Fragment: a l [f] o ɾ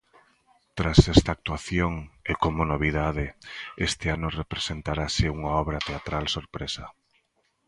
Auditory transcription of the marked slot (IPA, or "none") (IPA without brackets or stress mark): s